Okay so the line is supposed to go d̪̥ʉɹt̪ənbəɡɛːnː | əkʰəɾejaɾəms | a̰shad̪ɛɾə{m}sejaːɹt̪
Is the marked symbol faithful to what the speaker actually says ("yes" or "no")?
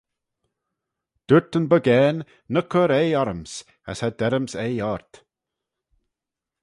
yes